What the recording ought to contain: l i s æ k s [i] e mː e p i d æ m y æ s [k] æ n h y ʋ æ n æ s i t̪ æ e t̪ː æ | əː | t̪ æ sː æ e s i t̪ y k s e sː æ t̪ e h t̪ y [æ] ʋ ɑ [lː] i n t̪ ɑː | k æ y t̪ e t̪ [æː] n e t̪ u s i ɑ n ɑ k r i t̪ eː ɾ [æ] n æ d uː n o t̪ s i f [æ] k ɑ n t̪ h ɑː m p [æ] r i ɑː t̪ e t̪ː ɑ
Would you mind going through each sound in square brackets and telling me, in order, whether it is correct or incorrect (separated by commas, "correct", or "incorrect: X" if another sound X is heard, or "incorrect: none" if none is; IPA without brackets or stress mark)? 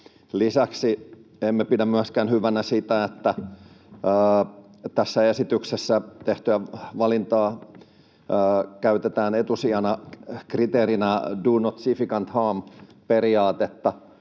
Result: correct, correct, correct, incorrect: l, correct, incorrect: i, incorrect: i, incorrect: e